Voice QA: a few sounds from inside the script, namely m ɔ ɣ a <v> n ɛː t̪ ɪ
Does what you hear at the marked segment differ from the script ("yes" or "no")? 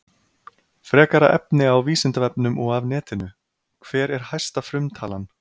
no